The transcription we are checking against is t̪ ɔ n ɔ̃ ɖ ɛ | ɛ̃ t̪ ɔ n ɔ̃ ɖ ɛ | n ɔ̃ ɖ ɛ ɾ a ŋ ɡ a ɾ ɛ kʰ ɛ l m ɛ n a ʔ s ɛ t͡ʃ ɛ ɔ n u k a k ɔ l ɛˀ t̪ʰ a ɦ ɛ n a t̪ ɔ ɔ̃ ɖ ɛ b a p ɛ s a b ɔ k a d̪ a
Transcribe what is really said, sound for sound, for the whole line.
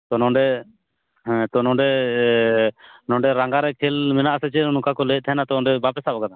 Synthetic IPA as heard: t̪ ɔ n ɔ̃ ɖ ɛ | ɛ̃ t̪ ɔ n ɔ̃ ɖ ɛ | n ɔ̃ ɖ ɛ ɾ a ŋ ɡ a ɾ ɛ kʰ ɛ l m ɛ n a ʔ s ɛ t͡ʃ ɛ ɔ n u k a k ɔ l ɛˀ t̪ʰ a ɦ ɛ n a t̪ ɔ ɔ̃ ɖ ɛ b a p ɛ s a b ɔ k a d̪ a